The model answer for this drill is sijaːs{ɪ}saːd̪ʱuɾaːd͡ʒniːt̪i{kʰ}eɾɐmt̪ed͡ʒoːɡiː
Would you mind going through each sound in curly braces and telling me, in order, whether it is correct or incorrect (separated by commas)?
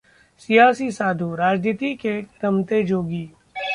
incorrect, incorrect